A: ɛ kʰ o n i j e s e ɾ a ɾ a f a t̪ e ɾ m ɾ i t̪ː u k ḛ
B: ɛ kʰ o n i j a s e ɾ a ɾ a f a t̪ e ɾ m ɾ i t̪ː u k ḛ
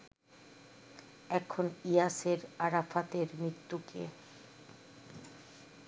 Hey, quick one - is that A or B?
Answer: B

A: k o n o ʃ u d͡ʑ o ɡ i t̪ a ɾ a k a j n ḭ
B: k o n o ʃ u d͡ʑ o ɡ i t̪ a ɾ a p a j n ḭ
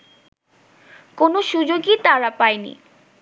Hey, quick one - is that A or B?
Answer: B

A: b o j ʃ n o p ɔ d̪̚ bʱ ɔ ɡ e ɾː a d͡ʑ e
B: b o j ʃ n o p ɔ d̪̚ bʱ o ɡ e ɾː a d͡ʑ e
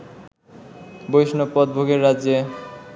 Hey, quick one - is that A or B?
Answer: B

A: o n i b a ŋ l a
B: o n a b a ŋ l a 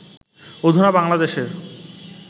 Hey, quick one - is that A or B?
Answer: B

